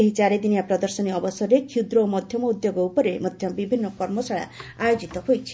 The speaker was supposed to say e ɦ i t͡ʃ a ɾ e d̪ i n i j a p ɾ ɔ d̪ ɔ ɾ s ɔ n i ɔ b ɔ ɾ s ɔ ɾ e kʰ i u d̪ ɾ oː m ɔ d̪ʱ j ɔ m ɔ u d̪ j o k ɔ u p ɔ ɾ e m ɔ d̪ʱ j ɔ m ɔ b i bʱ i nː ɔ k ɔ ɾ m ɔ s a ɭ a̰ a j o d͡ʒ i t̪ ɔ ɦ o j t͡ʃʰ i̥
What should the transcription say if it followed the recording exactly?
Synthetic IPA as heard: e ɦ i t͡ʃ a ɾ e d̪ i n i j a p ɾ ɔ d̪ ɔ ɾ s ɔ n i ɔ b ɔ s ɔ ɾ e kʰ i u d̪ ɾ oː m ɔ d̪ʱ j ɔ m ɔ u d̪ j o ɡ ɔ u p ɔ ɾ e m ɔ d̪ʱ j ɔ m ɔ b i bʱ i nː ɔ k ɔ ɾ m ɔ s a ɭ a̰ a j o d͡ʒ i t̪ ɔ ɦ o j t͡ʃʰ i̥

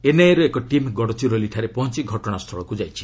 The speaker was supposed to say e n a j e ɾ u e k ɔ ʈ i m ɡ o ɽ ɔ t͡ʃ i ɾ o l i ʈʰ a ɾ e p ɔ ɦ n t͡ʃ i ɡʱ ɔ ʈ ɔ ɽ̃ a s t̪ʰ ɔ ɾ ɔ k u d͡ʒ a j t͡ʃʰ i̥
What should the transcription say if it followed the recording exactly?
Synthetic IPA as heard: e n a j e ɾ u e k ɔ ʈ i m ɡ ɔ ɽ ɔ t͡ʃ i ɾ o l i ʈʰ a ɾ e p ɔ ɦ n t͡ʃ i ɡʱ ɔ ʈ ɔ ɽ̃ a s t̪ʰ ɔ ɭ ɔ k u d͡ʒ a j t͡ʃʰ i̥

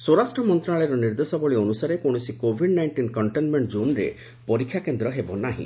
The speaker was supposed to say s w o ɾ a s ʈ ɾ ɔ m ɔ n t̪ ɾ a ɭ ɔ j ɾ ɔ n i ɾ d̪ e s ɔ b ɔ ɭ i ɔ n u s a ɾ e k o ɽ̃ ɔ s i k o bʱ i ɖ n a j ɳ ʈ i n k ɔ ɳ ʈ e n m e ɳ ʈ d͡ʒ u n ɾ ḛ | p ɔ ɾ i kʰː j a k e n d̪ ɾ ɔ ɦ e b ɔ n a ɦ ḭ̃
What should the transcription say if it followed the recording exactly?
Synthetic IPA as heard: s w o ɾ a s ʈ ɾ ɔ m ɔ n t̪ ɾ a ɭ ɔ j ɾ ɔ n i ɾ d̪ e s ɔ b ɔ ɭ i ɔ n u s a ɾ e k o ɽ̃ ɔ s i k o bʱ i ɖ n a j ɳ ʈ i n k ɔ ɳ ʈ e n m e ɳ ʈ d͡ʒ u n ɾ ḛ | p ɔ ɾ i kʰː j a k e n d̪ ɾ ɔ ɦ e b ɔ n a ɦ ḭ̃

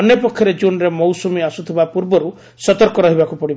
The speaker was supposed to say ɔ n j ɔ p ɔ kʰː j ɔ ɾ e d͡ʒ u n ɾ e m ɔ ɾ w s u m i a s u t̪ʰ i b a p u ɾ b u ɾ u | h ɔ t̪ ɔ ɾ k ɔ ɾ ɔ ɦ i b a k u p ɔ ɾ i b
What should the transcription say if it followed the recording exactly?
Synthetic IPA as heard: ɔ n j ɔ p ɔ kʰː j ɔ ɾ e d͡ʒ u n ɾ e m ɔ w s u m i a s u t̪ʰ i b a p u ɾ b ɔ ɾ u | s ɔ t̪ ɔ ɾ k ɔ ɾ ɔ ɦ i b a k u p ɔ ɽ i b

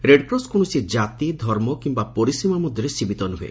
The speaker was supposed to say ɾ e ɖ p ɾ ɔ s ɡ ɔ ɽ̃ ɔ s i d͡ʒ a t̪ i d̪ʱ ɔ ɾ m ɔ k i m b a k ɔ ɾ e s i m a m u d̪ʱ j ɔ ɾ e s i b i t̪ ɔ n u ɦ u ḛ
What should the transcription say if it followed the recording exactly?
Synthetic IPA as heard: ɾ e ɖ p ɾ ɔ s k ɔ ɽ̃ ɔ s i d͡ʒ a t̪ i d̪ʱ ɔ ɾ m ɔ k i m b a p ɔ ɾ i s i m a m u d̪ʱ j ɔ ɾ e s i b i t̪ ɔ n u ɦ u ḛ

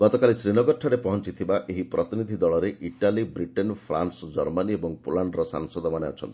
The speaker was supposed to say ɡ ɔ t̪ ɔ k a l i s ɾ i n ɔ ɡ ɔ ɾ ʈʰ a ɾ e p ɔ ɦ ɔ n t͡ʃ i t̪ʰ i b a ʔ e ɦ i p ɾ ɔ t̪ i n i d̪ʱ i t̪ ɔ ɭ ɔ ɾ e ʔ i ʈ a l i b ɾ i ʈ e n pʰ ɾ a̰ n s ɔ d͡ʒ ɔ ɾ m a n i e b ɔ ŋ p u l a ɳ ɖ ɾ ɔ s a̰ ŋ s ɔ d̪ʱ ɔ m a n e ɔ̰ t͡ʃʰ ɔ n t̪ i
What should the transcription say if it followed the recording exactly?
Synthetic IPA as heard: ɡ ɔ t̪ ɔ k a l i s ɾ i n ɔ ɡ ɔ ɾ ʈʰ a ɾ e p ɔ ɦ ɔ n t͡ʃ i t̪ʰ i b a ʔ e ɦ i p ɾ ɔ t̪ i n i d̪ʱ i d̪ ɔ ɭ ɔ ɾ e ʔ i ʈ a l i b ɾ i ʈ e n pʰ ɾ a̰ n s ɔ d͡ʒ ɔ ɾ m a n i e b ɔ ŋ p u l a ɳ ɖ ɾ ɔ s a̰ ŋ s ɔ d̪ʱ ɔ m a n e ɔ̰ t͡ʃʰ ɔ n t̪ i

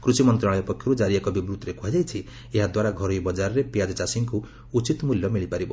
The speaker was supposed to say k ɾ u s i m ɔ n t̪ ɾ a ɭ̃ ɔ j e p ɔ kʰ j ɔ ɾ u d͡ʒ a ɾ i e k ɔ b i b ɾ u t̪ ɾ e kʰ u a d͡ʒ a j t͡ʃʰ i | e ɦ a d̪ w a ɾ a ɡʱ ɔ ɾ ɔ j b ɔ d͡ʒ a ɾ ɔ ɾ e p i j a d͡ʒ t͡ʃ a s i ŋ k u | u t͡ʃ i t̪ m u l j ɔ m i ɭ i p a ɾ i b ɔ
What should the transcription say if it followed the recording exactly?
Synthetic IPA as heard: k ɾ u s i m ɔ n t̪ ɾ a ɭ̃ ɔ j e p ɔ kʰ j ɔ ɾ u d͡ʒ a ɾ i e k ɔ b i b ɾ u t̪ ɾ e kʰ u a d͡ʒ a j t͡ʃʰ i | e ɦ a d̪ w a ɾ a ɡʱ ɔ ɾ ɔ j b ɔ d͡ʒ a ɾ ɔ ɾ e p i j a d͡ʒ t͡ʃ a s i ŋ k u | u t͡ʃ i t̪ m u l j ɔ m i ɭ i p a ɾ i b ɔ

